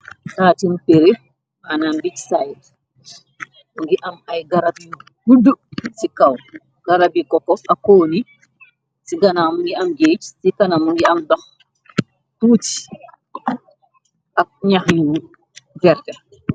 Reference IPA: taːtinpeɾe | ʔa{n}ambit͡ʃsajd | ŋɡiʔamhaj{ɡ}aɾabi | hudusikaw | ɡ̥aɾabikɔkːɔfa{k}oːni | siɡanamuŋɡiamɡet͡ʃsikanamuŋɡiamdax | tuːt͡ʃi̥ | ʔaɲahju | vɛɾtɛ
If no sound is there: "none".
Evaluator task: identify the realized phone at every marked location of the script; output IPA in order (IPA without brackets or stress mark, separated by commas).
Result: n, ɡ, k